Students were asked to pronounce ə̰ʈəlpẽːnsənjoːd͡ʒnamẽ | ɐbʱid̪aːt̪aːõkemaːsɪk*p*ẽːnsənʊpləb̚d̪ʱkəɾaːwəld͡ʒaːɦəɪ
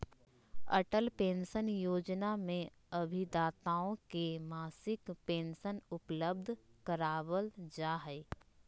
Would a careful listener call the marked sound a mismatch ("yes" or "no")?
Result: no